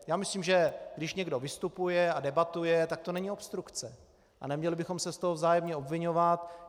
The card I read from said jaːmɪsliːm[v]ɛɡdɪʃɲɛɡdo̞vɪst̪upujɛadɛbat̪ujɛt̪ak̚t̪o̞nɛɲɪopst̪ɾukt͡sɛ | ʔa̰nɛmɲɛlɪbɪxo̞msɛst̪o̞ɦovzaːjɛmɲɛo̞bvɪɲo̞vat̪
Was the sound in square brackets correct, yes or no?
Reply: no